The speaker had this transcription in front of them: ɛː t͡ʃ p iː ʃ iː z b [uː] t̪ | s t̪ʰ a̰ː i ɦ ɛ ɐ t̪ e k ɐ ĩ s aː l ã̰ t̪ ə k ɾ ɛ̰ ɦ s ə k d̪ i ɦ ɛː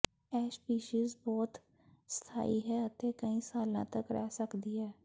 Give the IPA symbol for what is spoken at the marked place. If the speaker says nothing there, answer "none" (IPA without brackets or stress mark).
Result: ɔː